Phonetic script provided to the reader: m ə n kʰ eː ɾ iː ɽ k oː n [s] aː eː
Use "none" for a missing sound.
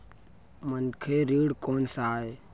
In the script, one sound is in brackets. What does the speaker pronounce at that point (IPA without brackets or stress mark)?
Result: s